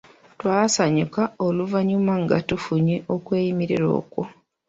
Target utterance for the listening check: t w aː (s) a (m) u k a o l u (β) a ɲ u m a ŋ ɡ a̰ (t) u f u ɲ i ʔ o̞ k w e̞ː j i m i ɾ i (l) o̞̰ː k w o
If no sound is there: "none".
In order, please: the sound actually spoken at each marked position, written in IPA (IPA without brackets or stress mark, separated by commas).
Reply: s, ɲ, v, t, ɾ